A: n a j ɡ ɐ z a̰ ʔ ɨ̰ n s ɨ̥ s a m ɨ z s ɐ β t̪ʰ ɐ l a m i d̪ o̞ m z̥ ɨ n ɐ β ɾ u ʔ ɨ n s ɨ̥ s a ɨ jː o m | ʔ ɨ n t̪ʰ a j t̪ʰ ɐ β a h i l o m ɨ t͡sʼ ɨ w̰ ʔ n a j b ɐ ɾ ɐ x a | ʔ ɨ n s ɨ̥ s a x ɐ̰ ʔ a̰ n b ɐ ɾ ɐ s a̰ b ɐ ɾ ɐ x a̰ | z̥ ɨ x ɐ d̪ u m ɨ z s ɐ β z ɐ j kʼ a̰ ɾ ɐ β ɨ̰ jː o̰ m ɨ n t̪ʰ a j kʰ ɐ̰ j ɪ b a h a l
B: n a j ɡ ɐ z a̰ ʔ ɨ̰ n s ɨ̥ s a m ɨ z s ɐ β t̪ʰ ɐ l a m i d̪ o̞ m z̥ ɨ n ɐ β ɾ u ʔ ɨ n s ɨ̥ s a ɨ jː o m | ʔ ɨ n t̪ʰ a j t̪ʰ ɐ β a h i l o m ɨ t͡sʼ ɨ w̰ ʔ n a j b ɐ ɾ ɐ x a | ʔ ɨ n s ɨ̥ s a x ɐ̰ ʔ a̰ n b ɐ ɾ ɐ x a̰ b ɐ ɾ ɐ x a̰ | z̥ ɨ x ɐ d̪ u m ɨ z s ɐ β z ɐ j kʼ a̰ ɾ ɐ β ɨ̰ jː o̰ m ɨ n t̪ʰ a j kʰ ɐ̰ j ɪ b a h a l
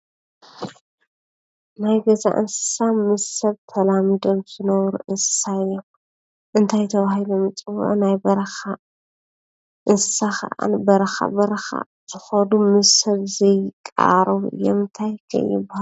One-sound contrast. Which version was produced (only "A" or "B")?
B